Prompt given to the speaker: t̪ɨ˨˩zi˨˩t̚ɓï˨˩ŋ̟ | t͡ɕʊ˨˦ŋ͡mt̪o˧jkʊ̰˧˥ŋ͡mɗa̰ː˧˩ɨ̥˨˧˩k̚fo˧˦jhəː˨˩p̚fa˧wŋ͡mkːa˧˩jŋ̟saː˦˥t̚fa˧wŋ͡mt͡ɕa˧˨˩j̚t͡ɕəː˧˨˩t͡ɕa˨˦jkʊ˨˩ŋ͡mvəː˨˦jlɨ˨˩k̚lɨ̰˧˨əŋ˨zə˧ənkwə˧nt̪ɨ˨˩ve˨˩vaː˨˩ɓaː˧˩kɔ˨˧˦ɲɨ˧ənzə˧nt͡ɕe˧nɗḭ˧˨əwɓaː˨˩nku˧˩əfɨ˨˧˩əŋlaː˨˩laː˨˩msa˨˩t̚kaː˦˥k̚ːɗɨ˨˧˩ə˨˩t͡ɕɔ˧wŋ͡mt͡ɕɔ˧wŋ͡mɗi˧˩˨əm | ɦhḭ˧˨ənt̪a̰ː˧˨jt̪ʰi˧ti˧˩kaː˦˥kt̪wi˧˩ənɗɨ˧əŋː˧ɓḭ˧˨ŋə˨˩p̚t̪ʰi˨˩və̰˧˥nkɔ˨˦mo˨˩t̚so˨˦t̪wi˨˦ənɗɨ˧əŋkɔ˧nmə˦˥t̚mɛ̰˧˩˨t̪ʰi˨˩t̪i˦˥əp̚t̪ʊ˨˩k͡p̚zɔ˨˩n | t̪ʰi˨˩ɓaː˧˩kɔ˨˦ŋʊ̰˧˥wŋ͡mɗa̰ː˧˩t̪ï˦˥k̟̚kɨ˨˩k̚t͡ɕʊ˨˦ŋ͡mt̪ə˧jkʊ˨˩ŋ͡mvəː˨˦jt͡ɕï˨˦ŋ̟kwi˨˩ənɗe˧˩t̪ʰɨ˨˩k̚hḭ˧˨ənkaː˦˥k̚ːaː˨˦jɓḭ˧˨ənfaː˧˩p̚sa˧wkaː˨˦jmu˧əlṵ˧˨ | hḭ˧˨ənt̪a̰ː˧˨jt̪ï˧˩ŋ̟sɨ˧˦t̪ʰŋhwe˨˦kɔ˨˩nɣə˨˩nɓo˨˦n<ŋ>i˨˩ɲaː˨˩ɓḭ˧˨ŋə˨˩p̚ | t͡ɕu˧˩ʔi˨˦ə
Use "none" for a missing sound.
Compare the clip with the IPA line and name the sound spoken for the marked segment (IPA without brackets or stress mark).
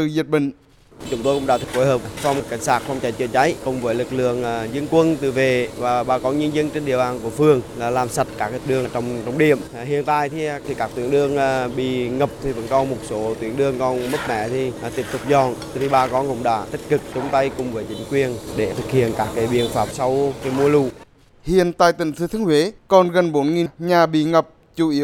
ŋ